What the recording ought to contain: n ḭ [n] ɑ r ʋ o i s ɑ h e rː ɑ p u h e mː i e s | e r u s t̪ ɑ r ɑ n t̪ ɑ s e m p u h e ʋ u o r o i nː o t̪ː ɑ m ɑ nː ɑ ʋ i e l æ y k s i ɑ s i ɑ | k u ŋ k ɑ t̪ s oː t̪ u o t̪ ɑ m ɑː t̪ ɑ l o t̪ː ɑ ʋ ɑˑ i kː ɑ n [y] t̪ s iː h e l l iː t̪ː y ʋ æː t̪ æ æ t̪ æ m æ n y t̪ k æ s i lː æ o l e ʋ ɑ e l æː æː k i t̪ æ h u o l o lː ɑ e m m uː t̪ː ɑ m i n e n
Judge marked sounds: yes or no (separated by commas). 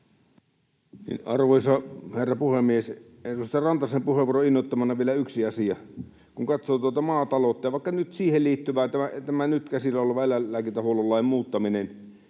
yes, yes